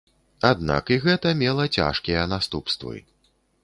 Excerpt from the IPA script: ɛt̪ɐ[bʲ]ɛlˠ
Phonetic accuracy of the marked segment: incorrect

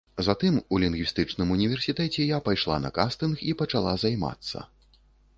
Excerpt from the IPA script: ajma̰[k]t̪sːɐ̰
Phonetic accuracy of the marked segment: incorrect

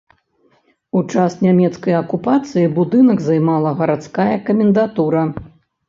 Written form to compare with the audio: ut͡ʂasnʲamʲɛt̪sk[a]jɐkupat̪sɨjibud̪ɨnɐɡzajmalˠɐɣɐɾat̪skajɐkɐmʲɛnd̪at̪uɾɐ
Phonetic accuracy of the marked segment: incorrect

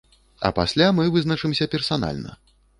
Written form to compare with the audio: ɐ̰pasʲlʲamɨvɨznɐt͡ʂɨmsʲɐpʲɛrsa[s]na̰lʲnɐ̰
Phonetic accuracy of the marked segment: incorrect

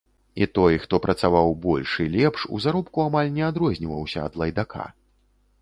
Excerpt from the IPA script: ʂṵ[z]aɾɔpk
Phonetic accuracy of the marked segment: correct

